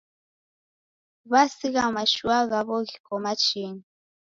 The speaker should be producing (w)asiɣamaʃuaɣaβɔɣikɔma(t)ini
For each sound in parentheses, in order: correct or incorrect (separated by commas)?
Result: incorrect, incorrect